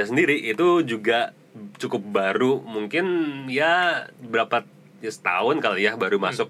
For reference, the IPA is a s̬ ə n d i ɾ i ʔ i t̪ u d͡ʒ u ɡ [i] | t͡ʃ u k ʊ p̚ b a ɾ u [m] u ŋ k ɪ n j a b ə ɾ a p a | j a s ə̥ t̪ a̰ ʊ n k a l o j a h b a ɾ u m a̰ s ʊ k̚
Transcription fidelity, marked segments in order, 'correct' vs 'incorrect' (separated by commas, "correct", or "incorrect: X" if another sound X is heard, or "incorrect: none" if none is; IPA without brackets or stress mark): incorrect: a, correct